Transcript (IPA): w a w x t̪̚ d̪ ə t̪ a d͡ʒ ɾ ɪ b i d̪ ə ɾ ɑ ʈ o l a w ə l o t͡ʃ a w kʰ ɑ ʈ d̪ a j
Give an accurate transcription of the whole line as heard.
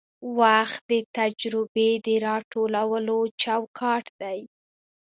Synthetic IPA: w a x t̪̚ d̪ ə t̪ a d͡ʒ ɾ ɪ b e d̪ ə ɾ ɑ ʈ o l a w ə l o t͡ʃ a w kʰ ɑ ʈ d̪ a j